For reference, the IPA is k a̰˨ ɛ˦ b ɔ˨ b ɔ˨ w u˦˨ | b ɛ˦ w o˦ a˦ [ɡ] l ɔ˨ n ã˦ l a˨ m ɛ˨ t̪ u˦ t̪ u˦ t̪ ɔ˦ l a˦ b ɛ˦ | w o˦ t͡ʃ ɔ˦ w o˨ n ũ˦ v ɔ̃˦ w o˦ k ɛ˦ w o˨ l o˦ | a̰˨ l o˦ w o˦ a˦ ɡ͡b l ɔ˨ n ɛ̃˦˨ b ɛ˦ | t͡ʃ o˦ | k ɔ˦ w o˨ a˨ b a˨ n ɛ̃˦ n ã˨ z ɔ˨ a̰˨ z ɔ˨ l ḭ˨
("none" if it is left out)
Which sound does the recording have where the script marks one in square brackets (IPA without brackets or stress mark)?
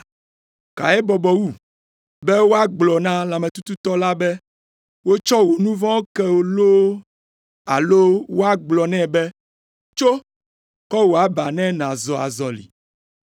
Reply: ɡ͡b